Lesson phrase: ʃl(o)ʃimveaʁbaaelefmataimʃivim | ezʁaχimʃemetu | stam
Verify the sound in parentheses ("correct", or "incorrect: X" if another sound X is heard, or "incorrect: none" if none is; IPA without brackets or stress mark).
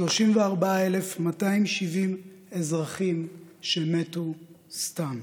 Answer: correct